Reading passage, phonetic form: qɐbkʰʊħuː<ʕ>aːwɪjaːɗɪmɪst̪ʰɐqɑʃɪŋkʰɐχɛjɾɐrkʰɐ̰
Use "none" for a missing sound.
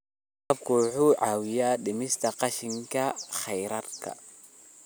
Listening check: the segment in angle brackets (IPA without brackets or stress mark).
ʕ